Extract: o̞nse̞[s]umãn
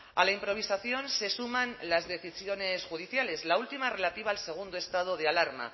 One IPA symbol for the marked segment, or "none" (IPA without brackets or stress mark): s